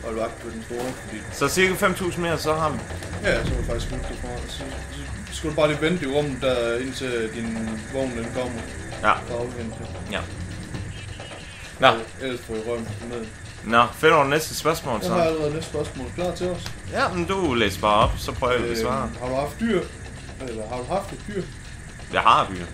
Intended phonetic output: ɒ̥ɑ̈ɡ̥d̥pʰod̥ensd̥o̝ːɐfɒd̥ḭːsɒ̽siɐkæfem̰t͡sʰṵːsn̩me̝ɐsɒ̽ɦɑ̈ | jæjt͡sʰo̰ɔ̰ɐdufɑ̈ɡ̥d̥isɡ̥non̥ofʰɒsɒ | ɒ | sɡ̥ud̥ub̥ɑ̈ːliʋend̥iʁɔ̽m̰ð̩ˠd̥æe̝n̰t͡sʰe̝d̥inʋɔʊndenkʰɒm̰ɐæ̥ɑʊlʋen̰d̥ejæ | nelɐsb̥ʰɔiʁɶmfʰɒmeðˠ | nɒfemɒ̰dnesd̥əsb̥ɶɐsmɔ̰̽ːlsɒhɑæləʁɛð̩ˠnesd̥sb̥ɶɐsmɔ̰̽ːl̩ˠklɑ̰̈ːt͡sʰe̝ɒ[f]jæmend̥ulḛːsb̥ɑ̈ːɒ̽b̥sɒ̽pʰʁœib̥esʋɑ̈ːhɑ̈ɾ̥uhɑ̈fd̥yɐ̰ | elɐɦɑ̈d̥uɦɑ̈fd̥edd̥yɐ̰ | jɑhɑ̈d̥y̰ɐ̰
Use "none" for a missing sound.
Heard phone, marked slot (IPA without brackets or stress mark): s